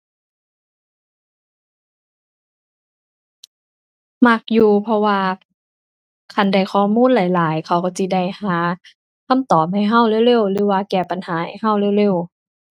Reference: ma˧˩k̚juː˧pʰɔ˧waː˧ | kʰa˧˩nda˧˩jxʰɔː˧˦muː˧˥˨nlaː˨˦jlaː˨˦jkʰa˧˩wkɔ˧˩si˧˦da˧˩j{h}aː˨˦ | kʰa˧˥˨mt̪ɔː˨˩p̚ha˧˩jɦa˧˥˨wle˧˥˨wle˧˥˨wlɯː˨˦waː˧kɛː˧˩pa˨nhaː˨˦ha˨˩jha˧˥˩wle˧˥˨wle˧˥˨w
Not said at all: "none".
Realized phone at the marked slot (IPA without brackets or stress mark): h